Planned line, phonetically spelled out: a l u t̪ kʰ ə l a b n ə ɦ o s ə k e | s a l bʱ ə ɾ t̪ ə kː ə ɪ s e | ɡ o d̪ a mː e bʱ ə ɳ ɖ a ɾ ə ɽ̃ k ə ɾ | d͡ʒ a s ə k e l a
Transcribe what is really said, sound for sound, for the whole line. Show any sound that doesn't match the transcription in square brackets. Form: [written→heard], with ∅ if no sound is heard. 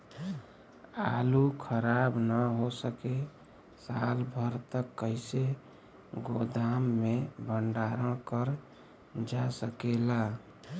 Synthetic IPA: a l u [t̪→∅] kʰ ə [l→ɾ] a b n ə ɦ o s ə k e | s a l bʱ ə ɾ t̪ ə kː ə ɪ s e | ɡ o d̪ a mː e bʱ ə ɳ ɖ a ɾ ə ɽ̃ k ə ɾ | d͡ʒ a s ə k e l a

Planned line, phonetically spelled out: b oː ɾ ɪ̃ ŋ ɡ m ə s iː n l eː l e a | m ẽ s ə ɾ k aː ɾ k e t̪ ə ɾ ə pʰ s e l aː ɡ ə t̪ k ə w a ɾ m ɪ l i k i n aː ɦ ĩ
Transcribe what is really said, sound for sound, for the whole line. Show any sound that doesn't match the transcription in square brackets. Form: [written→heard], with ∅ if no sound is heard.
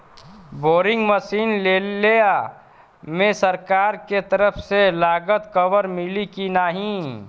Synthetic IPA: b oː ɾ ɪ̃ ŋ ɡ m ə s iː n l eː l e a | m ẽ s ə ɾ k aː ɾ k e t̪ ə ɾ ə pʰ s e l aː ɡ ə t̪ k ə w [a→ə] ɾ m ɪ l i k i n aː ɦ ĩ

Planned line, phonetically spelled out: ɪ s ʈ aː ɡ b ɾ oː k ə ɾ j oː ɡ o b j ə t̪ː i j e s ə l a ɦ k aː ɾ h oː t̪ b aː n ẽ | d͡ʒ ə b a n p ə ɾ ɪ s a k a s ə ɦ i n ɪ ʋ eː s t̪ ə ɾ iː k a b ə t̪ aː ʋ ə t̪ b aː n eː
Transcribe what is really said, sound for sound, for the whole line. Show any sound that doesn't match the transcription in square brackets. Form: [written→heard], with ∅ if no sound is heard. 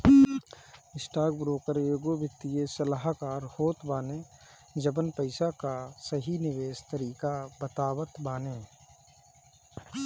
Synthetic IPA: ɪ s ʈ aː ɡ b ɾ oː k ə ɾ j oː ɡ o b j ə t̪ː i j e s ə l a ɦ k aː ɾ h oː t̪ b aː n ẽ | d͡ʒ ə b [a→ə] n p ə [ɾ→∅] ɪ s a k a s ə ɦ i n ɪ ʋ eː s t̪ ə ɾ iː k a b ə t̪ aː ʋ ə t̪ b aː n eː

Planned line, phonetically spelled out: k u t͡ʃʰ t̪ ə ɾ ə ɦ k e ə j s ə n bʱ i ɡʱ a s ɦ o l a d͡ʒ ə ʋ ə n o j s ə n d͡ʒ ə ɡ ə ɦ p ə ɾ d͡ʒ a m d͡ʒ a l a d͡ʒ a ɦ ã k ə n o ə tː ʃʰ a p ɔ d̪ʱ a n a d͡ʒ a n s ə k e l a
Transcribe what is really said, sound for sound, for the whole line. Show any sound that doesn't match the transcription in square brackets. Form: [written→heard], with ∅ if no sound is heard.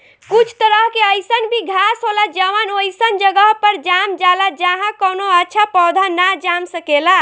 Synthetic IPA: k u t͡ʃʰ t̪ ə ɾ ə ɦ k e ə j s ə n bʱ i ɡʱ a s ɦ o l a d͡ʒ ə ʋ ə n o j s ə n d͡ʒ ə ɡ ə ɦ p ə ɾ d͡ʒ a m d͡ʒ a l a d͡ʒ a ɦ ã k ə n o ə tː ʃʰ a p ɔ d̪ʱ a n a d͡ʒ a [n→m] s ə k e l a

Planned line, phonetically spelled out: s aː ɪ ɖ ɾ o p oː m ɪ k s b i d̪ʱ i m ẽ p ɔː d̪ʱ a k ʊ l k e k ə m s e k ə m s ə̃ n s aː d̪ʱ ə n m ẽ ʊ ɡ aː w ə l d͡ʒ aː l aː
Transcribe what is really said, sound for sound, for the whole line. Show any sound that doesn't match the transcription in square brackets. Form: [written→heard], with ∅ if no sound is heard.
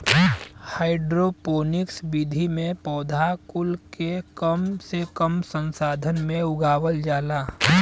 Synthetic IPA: [s→h] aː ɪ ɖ ɾ o p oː [m→n] ɪ k s b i d̪ʱ i m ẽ p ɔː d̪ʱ a k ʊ l k e k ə m s e k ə m s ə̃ n s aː d̪ʱ ə n m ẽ ʊ ɡ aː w ə l d͡ʒ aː l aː

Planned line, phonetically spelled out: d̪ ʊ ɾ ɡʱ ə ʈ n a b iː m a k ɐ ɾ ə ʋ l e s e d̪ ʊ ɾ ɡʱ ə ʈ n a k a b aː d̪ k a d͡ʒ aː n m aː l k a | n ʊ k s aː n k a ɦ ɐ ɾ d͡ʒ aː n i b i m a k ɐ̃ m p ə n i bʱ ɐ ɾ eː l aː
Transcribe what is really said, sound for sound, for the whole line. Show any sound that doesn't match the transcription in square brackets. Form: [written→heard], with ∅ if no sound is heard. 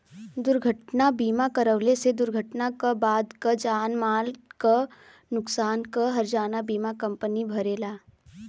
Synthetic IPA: d̪ ʊ ɾ ɡʱ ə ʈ n a b iː m a k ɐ ɾ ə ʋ l e s e d̪ ʊ ɾ ɡʱ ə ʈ n a k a b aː d̪ k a d͡ʒ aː n m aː l k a | n ʊ k s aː n k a ɦ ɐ ɾ d͡ʒ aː n [i→a] b [i→iː] m a k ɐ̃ m p ə n i bʱ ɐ ɾ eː l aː

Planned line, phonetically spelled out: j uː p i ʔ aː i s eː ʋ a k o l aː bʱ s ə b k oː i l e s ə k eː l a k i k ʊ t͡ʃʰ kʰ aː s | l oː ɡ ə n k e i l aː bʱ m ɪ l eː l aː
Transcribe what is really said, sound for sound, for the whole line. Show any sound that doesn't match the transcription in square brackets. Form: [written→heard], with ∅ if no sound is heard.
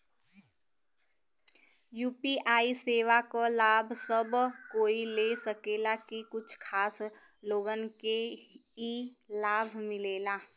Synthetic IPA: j uː p i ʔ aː i s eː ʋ a k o l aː bʱ s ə b k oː i l e s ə k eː l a k i k ʊ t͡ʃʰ kʰ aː s | l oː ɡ ə n k e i l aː bʱ m ɪ l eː l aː

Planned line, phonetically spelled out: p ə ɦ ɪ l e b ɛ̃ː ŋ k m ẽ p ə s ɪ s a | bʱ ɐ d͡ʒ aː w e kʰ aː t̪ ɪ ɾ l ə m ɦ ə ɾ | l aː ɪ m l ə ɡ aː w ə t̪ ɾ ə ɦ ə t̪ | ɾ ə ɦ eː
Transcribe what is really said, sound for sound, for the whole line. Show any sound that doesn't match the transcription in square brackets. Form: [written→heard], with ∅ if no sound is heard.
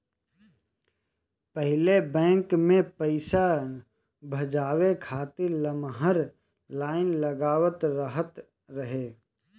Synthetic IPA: p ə ɦ ɪ l e b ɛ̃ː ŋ k m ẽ p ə [s→∅] ɪ s a | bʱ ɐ d͡ʒ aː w e kʰ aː t̪ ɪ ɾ l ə m ɦ ə ɾ | l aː ɪ [m→n] l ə ɡ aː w ə t̪ ɾ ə ɦ ə t̪ | ɾ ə ɦ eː

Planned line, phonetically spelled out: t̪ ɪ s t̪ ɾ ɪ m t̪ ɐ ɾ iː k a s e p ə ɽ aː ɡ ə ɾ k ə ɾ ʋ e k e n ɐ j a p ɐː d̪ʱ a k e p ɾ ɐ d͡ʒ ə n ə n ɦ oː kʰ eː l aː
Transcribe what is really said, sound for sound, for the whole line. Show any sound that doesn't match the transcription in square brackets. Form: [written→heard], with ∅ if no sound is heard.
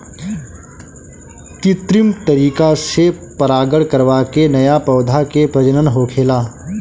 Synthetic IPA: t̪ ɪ [s→∅] t̪ ɾ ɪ m t̪ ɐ ɾ iː k a s e p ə [ɽ→ɾ] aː ɡ ə [ɾ→ɽ] k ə ɾ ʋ [e→a] k e n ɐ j a p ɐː d̪ʱ a k e p ɾ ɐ d͡ʒ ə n ə n ɦ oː kʰ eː l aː

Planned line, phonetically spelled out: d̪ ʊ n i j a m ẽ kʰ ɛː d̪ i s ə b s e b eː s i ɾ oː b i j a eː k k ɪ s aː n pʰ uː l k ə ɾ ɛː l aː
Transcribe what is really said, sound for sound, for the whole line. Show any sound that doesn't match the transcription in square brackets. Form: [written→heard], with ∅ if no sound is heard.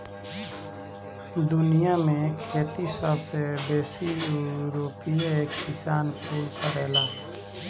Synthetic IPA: d̪ ʊ n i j a m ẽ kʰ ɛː [d̪→t̪] i s ə b s e b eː s i ɾ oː [b→p] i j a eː k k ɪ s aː n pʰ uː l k ə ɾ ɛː l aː

